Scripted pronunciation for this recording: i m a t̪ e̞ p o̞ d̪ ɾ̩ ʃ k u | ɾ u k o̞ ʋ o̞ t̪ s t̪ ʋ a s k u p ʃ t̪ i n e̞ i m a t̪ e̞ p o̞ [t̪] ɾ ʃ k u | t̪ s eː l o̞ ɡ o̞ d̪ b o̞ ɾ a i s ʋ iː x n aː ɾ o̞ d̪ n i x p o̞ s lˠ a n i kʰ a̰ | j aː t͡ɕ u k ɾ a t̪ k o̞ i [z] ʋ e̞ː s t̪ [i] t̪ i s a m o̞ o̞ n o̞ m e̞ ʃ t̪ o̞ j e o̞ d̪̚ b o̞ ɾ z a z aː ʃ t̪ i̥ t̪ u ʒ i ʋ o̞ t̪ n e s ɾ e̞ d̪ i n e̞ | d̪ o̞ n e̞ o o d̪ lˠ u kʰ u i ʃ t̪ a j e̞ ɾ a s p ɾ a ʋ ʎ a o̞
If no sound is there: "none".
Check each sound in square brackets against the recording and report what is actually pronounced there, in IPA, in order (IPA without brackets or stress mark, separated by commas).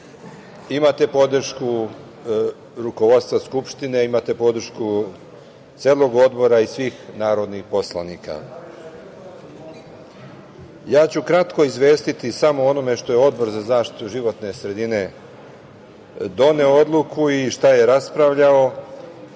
d̪, z, i